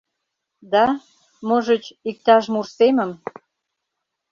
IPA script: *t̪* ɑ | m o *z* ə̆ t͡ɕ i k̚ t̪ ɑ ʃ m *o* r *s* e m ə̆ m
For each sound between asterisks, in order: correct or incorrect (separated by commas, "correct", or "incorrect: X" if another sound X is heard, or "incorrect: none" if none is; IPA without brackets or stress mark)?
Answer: incorrect: d̪, incorrect: ʒ, incorrect: u, correct